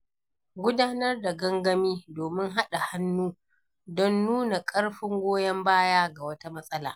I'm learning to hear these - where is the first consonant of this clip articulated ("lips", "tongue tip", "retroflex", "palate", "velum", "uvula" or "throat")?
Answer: velum